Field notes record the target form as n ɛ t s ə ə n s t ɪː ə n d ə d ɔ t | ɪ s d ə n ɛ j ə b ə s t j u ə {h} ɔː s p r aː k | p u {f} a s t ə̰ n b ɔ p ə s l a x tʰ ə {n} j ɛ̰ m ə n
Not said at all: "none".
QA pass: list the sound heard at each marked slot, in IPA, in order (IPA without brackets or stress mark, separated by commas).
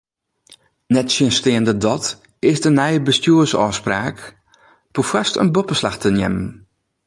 s, f, n